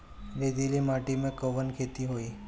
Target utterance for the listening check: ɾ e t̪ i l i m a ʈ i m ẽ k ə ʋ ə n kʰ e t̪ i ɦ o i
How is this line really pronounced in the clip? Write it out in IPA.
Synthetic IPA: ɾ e d̪ i l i m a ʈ i m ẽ k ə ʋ ə n kʰ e t̪ i ɦ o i